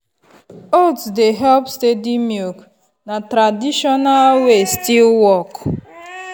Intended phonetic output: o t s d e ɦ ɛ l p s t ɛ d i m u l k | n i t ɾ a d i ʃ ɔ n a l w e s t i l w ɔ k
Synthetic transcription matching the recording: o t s d e ɦ ɛ l p s t e d i m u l k | n a t ɾ a d i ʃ ɔ n a l w e s t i l w ɔ k